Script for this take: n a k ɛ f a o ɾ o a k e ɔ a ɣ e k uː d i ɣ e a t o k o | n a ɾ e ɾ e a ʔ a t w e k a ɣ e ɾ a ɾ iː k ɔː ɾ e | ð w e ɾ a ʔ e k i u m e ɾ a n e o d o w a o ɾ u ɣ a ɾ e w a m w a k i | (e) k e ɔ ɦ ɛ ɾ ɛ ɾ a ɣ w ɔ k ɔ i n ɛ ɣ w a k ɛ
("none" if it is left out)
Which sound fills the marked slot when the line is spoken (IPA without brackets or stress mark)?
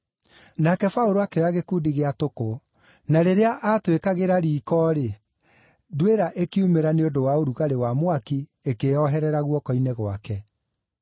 e